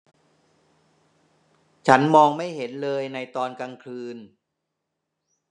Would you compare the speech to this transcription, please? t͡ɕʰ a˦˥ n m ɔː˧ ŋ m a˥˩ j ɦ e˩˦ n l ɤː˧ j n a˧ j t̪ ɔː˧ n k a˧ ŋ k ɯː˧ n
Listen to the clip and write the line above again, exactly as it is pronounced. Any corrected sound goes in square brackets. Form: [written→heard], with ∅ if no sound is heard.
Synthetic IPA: t͡ɕʰ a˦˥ n m ɔː˧ ŋ m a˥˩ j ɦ e˩˦ n l ɤː˧ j n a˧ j t̪ ɔː˧ n k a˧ ŋ [k→kʰ] ɯː˧ n